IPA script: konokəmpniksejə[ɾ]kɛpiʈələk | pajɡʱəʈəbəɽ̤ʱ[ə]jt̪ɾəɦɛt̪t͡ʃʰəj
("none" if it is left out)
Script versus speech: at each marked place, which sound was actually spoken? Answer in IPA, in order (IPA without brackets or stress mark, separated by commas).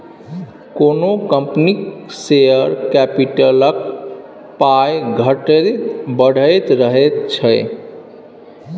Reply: ɾ, ə